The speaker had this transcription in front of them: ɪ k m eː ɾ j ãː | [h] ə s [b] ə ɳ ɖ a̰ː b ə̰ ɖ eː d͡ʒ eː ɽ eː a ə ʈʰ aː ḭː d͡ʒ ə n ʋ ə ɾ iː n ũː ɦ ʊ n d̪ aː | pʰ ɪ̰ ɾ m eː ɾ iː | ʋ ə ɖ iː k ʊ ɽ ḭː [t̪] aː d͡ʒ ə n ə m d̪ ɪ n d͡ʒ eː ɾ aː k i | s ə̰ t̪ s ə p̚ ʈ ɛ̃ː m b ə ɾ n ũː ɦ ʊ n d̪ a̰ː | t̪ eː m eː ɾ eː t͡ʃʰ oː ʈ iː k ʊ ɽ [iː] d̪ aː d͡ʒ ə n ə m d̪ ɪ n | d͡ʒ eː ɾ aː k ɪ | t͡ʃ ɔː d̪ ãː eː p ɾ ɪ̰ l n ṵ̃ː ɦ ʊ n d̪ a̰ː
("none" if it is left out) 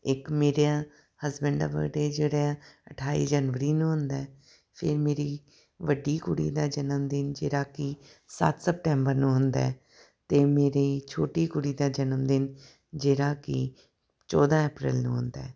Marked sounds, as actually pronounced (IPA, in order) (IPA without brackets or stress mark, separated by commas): h, b, d̪, iː